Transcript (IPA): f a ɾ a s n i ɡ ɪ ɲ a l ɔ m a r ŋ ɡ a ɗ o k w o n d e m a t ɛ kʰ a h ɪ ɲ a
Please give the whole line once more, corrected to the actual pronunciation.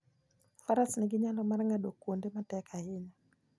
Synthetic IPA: f a ɾ a s n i ɡ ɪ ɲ a l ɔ m a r ŋ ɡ a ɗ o k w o n d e m a t ɛ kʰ a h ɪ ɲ a